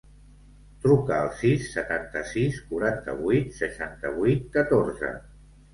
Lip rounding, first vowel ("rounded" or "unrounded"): rounded